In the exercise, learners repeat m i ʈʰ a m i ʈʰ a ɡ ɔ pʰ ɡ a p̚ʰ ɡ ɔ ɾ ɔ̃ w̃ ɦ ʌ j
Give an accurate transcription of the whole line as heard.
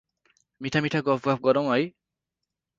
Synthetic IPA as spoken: m i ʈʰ a m i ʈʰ a ɡ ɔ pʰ ɡ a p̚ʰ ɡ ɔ ɾ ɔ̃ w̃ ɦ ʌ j